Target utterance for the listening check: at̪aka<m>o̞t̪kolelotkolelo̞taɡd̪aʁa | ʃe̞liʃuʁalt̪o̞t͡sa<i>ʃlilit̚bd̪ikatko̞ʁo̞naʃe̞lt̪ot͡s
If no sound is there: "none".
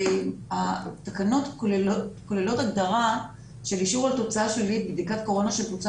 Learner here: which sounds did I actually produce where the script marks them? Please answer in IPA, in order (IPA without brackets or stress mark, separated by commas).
n, a